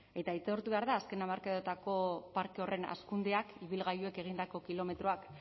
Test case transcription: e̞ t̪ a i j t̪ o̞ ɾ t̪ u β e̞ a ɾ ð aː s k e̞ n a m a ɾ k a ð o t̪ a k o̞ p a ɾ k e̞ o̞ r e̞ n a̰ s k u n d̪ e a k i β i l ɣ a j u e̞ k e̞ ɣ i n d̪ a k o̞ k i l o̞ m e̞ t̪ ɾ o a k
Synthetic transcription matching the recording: e̞ t̪ a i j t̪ o̞ ɾ t̪ u β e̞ a ɾ ð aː s k e̞ n a m a ɾ k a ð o t̪ a k o̞ p a ɾ k e̞ o̞ r e̞ n a̰ s k u n d̪ e a k i β i l ɣ a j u e̞ k e̞ ɣ i n d̪ a k o̞ k i l o̞ m e̞ t̪ ɾ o a k